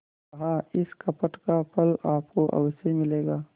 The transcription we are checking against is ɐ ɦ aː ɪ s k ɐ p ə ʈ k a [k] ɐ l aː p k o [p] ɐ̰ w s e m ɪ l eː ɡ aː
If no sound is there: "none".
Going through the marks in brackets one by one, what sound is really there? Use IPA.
p, ʔ

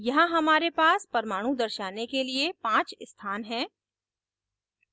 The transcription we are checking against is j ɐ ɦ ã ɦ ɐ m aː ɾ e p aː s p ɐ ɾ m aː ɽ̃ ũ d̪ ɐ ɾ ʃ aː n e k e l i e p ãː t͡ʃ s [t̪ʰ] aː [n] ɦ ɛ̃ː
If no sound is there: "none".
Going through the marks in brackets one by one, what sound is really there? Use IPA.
t̪ʰ, n

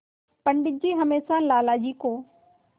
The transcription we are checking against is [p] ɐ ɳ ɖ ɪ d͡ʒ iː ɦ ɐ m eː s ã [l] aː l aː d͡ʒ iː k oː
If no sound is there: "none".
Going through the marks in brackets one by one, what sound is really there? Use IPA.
p, l

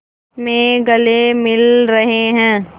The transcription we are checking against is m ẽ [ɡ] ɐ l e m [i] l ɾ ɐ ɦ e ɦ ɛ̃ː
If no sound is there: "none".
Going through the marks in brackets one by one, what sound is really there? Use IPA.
ɡ, ɪ

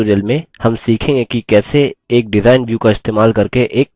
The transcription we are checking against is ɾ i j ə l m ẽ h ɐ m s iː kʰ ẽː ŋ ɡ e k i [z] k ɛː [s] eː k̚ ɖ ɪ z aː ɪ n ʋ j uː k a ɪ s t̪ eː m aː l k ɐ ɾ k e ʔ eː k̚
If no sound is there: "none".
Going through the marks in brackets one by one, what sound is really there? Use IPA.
none, s

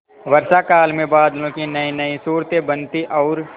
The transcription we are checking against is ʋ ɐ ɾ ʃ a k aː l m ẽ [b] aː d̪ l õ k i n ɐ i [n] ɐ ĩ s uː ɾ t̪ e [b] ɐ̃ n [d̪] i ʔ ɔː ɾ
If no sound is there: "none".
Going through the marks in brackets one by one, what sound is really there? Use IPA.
b, n, b, t̪

